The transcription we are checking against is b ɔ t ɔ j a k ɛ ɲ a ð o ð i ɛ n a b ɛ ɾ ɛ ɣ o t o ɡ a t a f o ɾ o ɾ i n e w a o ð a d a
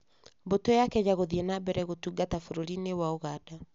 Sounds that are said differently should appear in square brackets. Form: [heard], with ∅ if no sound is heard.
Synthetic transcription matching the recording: b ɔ t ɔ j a k ɛ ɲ a [ɣ] o ð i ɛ n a b ɛ ɾ ɛ ɣ o t [u] ɡ a t a f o ɾ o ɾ i n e w a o [ɣ] a d a